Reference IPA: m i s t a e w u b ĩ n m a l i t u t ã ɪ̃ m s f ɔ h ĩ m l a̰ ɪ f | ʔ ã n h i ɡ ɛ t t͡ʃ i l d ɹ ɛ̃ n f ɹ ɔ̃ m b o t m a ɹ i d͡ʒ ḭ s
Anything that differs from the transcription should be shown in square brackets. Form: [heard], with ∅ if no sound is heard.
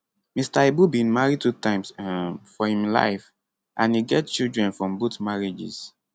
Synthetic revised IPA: m i s t a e [b] u b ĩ n m a [ɹ] i t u t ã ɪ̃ m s f ɔ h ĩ m l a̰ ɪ f | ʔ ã n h i ɡ ɛ t t͡ʃ i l d ɹ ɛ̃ n f ɹ ɔ̃ m b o t m a ɹ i d͡ʒ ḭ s